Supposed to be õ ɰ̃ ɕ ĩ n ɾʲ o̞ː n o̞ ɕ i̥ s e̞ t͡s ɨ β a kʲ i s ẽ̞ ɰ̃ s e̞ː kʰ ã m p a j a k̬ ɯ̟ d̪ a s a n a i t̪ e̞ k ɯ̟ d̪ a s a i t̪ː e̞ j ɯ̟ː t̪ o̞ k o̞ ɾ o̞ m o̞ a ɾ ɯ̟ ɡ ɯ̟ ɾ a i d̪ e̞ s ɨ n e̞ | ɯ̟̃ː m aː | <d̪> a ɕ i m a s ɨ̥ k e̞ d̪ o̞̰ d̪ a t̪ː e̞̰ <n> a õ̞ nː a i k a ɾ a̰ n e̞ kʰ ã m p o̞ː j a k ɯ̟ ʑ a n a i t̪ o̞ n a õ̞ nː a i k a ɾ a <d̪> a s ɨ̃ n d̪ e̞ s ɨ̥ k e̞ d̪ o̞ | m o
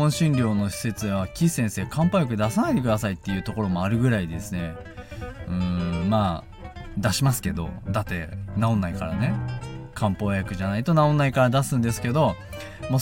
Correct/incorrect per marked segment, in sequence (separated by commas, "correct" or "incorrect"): correct, correct, correct